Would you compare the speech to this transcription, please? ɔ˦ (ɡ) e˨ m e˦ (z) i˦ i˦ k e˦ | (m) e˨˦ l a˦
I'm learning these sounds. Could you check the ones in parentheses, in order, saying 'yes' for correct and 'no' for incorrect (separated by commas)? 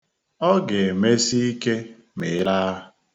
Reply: yes, no, yes